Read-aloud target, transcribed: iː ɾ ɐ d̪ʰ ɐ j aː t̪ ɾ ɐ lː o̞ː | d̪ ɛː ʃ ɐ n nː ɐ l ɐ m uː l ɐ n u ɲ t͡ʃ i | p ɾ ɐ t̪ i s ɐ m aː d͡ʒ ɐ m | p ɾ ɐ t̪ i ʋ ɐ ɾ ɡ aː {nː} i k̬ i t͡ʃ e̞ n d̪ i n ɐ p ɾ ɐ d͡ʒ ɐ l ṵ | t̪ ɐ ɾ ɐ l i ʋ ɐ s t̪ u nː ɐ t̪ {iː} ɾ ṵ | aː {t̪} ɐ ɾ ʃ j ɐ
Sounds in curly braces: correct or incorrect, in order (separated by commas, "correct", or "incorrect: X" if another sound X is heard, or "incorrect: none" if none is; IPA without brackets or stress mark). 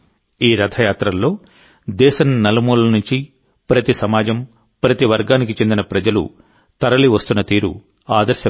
incorrect: n, correct, incorrect: d̪